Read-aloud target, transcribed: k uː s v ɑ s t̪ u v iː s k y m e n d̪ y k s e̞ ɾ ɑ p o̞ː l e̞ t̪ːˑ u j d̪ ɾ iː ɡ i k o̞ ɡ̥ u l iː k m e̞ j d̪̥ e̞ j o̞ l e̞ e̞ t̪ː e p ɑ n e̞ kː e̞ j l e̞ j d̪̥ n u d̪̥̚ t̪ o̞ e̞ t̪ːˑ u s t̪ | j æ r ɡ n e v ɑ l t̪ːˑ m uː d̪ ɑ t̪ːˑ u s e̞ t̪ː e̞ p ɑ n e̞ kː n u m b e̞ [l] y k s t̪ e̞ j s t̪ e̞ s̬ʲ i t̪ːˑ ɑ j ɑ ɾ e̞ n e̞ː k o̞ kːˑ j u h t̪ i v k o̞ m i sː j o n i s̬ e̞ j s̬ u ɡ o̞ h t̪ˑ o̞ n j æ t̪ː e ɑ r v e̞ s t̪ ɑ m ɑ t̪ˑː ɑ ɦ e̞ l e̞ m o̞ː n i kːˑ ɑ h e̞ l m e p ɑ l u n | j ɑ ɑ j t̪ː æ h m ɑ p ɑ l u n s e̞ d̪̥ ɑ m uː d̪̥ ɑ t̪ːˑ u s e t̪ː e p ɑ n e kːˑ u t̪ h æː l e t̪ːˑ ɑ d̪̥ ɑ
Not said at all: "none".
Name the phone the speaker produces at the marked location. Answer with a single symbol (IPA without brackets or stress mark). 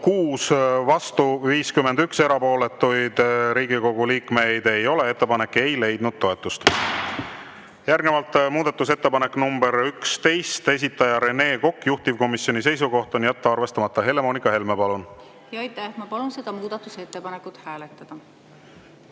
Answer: ɾ